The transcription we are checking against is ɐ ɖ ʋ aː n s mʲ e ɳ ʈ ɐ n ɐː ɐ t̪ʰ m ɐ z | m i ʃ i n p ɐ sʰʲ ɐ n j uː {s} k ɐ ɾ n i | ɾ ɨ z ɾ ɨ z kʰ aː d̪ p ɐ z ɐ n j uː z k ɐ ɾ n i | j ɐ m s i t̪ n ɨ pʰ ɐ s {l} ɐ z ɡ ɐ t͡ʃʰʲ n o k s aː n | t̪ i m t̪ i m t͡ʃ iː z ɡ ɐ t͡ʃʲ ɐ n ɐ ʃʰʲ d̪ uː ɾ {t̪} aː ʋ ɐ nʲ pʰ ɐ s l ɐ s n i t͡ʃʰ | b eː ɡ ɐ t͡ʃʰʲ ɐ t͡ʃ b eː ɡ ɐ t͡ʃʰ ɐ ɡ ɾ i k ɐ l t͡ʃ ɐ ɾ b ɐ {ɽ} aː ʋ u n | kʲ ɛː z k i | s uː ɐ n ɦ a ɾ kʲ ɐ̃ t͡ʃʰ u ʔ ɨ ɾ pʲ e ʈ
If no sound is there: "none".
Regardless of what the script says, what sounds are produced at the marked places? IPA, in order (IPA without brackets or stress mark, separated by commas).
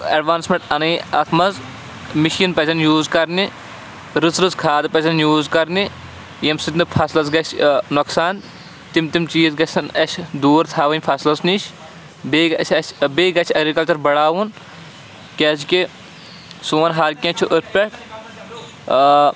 z, l, t̪ʰ, ɽ